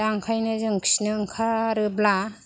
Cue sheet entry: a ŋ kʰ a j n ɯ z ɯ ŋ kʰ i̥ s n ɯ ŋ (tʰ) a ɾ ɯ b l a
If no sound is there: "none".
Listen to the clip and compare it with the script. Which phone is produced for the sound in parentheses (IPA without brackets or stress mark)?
kʰ